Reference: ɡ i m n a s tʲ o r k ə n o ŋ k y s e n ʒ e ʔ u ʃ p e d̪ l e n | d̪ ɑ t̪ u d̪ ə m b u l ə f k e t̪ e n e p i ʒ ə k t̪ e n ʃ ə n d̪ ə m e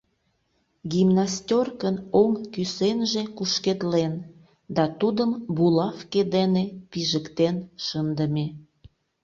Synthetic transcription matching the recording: ɡ i m n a s tʲ o r k ə n o ŋ k y s e n ʒ e k u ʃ k e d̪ l e n | d̪ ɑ t̪ u d̪ ə m b u l ɑ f k e d̪ e n e p i ʒ ə k t̪ e n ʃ ə n d̪ ə m e